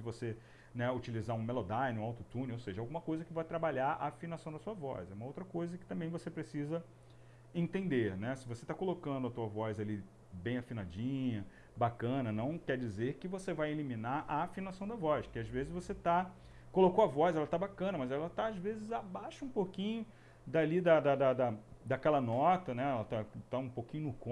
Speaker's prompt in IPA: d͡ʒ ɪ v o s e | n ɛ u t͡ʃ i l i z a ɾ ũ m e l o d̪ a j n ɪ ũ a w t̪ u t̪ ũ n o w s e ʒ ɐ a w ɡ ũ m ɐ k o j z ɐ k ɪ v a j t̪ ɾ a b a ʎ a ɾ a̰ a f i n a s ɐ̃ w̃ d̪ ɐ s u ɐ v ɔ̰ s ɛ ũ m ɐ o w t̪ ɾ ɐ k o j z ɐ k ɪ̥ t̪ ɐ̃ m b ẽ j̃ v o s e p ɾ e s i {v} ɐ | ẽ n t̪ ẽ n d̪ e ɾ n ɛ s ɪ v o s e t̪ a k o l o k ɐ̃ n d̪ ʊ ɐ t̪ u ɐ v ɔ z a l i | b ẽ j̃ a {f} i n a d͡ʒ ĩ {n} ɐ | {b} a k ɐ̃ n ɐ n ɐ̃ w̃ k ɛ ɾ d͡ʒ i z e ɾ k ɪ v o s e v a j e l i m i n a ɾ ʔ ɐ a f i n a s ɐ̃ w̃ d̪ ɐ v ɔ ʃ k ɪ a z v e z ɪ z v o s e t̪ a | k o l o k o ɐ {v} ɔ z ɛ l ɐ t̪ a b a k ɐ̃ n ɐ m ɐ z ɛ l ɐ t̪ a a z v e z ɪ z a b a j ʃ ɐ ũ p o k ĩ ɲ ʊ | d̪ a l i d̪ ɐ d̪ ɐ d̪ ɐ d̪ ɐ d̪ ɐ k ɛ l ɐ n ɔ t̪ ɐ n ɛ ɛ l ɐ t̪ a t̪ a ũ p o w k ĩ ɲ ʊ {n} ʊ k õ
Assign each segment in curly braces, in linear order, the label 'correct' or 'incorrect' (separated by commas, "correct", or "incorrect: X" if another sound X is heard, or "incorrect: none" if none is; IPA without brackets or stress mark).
incorrect: z, correct, incorrect: ɲ, correct, correct, correct